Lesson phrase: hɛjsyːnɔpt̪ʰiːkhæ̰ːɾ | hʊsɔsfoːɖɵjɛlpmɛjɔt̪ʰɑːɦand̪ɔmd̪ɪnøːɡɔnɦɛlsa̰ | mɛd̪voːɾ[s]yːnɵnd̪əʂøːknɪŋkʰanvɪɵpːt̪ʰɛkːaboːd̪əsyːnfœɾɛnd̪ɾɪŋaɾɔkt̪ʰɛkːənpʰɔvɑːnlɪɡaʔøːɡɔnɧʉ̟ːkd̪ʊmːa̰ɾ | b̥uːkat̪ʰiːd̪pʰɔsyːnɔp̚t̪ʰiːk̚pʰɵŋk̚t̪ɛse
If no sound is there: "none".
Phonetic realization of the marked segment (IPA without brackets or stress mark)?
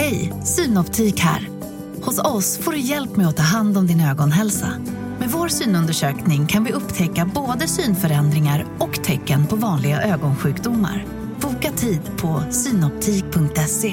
s